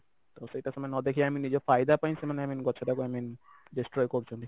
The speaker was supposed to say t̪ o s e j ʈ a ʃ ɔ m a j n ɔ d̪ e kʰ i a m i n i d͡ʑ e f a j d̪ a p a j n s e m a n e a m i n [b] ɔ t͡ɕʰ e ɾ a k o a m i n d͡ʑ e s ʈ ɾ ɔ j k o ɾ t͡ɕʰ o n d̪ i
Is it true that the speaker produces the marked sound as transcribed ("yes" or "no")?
no